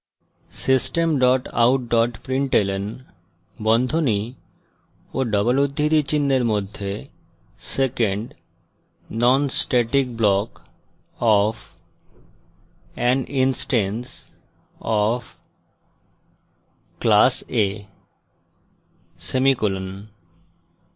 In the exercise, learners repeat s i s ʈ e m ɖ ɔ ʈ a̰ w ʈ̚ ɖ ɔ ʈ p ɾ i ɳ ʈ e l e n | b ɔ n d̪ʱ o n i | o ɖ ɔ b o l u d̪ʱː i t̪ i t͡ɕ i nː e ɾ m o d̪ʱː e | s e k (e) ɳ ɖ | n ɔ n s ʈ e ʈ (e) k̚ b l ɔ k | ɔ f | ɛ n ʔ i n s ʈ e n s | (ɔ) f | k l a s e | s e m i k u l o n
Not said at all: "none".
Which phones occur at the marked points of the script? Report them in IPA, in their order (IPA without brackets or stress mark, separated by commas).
e, i, ɔ